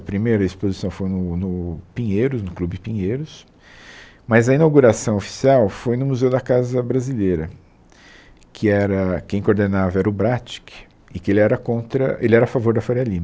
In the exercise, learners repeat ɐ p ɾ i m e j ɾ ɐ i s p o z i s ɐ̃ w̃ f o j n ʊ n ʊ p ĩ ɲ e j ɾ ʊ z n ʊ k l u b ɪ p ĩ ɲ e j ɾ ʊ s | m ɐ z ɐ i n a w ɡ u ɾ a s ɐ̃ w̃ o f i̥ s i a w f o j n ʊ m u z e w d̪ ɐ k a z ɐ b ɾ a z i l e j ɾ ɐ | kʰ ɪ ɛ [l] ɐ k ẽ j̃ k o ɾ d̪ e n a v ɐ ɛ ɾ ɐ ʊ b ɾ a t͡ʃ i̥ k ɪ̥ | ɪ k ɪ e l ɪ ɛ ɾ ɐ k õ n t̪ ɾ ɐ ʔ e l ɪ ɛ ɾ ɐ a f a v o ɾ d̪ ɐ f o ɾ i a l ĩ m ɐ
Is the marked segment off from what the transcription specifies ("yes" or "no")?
yes